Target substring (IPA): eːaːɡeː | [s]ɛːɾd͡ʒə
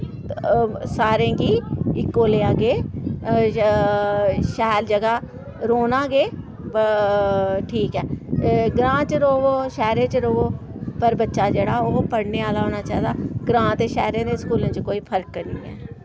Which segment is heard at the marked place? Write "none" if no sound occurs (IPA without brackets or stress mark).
ʃ